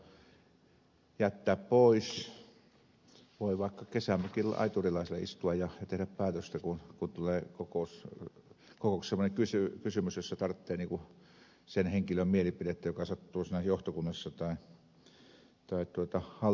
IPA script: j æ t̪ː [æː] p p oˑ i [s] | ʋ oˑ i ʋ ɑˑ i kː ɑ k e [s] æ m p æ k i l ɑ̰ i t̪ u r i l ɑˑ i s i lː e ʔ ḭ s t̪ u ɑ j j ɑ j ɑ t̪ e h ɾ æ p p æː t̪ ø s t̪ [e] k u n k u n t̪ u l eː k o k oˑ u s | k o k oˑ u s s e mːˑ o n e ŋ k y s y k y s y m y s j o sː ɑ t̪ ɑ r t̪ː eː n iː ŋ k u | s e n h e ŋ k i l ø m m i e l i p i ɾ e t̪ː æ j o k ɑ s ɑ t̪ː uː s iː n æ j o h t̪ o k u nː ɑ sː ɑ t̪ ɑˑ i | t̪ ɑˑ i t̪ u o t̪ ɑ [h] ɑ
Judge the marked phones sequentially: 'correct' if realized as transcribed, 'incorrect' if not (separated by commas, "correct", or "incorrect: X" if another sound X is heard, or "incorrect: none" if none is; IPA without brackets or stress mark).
correct, correct, correct, incorrect: æ, correct